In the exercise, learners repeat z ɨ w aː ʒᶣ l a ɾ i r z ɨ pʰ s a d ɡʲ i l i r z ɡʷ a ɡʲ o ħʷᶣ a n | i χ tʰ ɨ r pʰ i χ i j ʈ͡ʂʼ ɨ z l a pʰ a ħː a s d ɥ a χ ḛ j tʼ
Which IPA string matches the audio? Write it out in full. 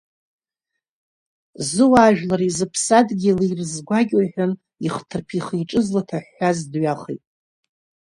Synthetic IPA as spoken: z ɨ w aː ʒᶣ l a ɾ i z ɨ pʰ s a d ɡʲ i l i r z ɡʷ a ɡʲ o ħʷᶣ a n | i χ tʰ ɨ r pʰ i χ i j ʈ͡ʂʼ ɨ z l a tʰ a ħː a z d ɥ a χ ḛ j tʼ